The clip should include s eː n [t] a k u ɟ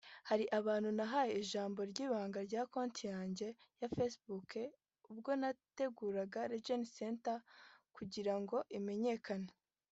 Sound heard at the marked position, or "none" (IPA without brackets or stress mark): t